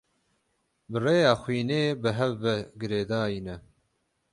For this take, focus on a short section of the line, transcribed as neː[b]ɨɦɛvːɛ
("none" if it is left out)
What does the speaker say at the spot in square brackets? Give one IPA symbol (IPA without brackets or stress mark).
b